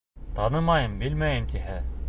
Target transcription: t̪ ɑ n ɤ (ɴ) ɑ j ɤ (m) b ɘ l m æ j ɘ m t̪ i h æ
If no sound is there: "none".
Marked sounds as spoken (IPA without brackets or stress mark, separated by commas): m, m